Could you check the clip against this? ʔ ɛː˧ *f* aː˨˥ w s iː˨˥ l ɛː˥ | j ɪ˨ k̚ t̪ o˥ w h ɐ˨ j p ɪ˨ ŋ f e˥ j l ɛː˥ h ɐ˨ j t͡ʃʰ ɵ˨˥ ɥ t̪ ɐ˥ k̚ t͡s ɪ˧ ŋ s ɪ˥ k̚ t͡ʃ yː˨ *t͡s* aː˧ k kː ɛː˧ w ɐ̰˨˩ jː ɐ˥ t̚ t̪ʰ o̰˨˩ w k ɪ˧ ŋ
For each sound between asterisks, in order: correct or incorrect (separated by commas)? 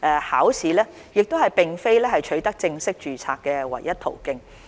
incorrect, incorrect